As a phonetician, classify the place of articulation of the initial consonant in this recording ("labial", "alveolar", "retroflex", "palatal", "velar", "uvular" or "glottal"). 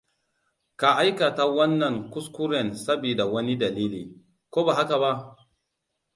velar